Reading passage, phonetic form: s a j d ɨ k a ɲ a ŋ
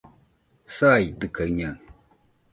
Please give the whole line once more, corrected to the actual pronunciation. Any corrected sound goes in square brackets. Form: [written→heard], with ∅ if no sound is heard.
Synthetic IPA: s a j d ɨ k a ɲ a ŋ

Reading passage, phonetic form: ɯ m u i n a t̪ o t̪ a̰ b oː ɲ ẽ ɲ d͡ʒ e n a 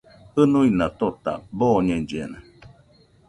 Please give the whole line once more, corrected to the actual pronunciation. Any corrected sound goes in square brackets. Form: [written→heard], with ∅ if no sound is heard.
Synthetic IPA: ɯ [m→n] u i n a t̪ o t̪ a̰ b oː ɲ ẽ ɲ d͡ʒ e n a

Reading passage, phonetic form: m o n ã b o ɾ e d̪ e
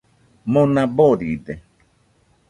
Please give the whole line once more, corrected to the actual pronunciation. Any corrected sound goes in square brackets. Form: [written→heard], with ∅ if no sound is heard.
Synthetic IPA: m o n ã b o ɾ [e→i] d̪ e

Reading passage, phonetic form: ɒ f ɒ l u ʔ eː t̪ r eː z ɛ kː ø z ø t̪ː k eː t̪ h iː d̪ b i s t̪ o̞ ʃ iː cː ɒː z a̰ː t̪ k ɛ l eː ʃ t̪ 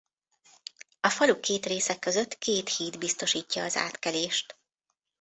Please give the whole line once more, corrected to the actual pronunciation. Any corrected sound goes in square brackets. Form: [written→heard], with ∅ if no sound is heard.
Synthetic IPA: ɒ f ɒ l u [ʔ→k] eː t̪ r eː [z→s] ɛ kː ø z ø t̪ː k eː t̪ h iː d̪ b i s t̪ o̞ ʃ iː cː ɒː z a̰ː t̪ k ɛ l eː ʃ t̪

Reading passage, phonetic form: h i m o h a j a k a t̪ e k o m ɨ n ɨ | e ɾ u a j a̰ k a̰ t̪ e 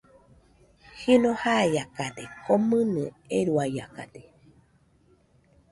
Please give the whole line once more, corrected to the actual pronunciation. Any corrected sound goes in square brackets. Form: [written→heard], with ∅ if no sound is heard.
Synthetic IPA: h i [m→n] o h a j a k a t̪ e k o m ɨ n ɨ | e ɾ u a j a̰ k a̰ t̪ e

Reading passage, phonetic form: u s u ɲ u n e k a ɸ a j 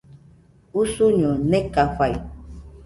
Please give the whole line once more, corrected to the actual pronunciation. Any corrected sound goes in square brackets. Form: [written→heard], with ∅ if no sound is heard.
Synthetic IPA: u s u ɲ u n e k a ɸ a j

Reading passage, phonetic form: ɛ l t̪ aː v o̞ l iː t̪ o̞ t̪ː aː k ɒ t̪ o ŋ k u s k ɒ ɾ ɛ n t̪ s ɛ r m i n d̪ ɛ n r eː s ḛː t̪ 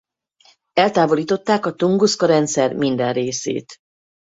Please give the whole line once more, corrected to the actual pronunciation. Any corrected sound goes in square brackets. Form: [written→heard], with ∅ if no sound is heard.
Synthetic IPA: ɛ l t̪ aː v o̞ l iː t̪ o̞ t̪ː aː k ɒ t̪ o ŋ [k→ɡ] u s k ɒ ɾ ɛ n t̪ s ɛ r m i n d̪ ɛ n r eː s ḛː t̪

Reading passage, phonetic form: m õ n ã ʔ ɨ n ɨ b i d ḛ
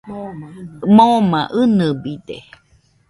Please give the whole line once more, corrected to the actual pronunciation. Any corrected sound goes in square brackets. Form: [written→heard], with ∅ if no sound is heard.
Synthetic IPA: m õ [n→m] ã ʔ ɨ n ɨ b i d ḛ

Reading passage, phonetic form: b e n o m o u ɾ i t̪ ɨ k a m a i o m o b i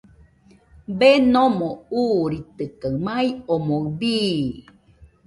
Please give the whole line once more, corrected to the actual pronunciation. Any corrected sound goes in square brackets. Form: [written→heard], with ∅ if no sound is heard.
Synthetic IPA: b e n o m o u ɾ i t̪ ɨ k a m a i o m o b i

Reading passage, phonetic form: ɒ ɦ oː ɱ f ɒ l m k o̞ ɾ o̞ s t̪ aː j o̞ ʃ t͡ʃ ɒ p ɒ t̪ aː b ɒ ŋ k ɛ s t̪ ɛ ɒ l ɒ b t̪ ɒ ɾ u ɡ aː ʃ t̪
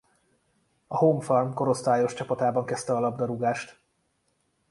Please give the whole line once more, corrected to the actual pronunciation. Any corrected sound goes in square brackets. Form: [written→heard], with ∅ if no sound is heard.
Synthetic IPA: ɒ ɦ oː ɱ f ɒ l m k o̞ ɾ o̞ s t̪ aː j o̞ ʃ t͡ʃ ɒ p ɒ t̪ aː b ɒ ŋ k ɛ s t̪ ɛ ɒ l ɒ b [t̪→d̪] ɒ ɾ u ɡ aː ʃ t̪

